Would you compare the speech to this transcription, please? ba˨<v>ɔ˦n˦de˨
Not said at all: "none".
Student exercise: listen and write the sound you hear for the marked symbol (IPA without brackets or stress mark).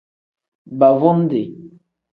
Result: v